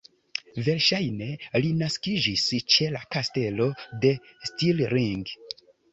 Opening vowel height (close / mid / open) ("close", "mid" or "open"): mid